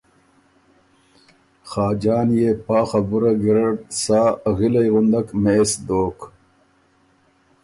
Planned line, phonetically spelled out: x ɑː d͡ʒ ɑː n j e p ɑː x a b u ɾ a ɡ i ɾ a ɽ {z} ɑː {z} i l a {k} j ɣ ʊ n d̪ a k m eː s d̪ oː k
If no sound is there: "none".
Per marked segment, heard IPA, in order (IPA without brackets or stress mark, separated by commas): s, ɣ, none